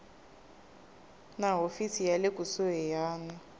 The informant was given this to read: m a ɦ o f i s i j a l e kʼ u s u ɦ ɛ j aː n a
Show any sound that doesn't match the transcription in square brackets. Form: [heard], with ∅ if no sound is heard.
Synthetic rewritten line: [n] a ɦ o f i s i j a l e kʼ u s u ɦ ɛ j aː n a